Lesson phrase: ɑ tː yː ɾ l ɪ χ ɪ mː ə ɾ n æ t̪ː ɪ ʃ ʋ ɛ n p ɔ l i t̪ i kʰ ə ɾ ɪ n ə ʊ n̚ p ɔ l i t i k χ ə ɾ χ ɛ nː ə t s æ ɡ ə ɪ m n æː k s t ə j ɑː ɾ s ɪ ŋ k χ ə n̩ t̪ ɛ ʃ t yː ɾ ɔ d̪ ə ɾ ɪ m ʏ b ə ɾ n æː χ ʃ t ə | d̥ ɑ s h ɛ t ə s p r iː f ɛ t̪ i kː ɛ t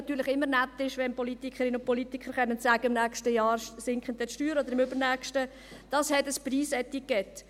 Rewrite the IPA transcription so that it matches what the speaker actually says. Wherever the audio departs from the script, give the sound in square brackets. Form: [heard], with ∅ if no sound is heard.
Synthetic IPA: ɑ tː yː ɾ l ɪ χ ɪ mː ə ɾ n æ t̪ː ɪ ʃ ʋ ɛ n p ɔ l i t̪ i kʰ ə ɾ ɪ n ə ʊ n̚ p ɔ l i t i k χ ə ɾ χ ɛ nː ə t s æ ɡ ə ɪ m n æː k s t ə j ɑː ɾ s ɪ ŋ k χ ə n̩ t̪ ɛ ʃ t yː ɾ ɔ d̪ ə ɾ ɪ m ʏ b ə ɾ n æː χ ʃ t ə | d̥ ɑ s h ɛ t ə s p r iː [s] ɛ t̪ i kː ɛ t